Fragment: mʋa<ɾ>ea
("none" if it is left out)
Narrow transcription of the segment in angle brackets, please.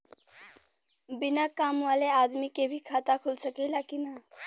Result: l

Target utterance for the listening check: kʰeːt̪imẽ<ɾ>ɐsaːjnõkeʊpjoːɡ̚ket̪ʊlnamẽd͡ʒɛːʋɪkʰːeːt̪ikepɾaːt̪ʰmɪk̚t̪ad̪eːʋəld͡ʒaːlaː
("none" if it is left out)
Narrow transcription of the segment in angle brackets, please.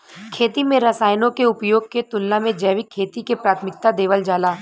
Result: ɾ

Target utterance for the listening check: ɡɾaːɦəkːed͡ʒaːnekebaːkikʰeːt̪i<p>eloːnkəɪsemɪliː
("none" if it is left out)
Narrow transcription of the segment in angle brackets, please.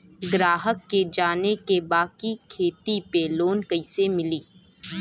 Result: p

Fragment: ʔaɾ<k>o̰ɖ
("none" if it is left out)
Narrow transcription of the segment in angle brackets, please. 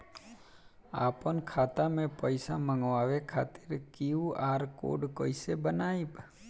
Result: k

